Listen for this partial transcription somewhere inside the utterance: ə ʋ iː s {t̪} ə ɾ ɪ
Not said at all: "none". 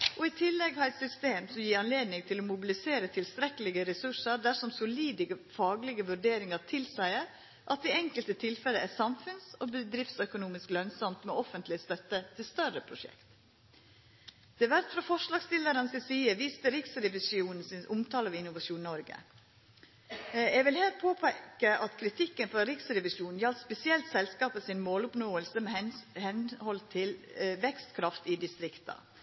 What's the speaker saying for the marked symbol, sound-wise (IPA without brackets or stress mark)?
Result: t̪